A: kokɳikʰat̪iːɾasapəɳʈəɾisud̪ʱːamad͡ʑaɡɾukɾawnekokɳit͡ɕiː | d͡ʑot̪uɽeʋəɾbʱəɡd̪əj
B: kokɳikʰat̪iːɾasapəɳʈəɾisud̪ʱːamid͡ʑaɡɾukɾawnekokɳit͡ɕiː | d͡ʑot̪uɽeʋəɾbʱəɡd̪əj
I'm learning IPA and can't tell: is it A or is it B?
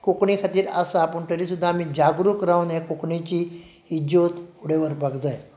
B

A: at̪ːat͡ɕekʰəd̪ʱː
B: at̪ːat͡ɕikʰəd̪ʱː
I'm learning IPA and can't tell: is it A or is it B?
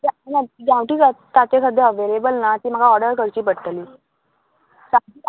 A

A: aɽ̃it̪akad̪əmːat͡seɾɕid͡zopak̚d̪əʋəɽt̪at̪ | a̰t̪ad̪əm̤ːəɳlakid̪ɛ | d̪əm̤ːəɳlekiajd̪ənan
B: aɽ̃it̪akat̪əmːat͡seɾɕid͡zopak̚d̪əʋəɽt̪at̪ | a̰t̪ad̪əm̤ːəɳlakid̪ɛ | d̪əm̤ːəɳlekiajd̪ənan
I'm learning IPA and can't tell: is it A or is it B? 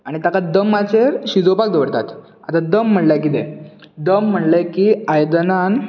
A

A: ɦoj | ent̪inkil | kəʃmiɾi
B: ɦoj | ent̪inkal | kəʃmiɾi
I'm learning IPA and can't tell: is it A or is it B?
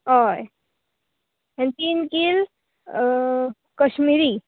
A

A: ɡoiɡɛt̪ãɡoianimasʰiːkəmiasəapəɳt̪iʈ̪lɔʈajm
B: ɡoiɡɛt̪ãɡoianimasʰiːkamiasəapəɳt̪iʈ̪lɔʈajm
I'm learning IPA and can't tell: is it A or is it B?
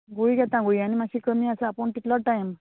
A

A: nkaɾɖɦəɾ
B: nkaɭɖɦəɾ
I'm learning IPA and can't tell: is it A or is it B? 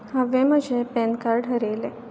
A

